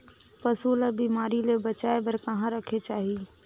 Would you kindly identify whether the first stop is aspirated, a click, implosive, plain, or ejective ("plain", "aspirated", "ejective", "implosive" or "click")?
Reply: plain